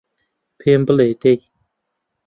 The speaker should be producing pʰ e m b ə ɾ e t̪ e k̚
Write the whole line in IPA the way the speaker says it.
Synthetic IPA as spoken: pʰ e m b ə l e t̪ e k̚